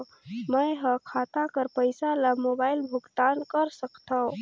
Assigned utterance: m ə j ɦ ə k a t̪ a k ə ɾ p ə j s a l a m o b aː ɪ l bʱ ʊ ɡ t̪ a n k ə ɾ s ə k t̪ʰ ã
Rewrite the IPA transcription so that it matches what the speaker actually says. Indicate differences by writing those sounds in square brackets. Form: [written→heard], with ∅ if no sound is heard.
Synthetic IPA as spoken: m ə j ɦ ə [k→kʰ] a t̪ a k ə ɾ p ə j s a l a m o b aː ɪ l bʱ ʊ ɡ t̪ a n k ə ɾ s ə k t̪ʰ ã